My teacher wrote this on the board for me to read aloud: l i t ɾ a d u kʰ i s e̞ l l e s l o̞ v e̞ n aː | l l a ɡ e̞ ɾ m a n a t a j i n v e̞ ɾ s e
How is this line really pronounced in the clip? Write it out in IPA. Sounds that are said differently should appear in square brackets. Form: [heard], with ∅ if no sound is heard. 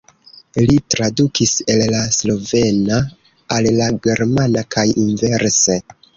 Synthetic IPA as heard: l i t ɾ a d u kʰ i s e̞ l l [a] s l o̞ v e̞ n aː | l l a ɡ e̞ ɾ m a n a [k] a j i n v e̞ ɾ s e